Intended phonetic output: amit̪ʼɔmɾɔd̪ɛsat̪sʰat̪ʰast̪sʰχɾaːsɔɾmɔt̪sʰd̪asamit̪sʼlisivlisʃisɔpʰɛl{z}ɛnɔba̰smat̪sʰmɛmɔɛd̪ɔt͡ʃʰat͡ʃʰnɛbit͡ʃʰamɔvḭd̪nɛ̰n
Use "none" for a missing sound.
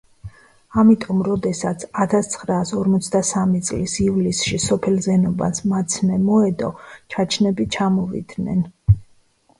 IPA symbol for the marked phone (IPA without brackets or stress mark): z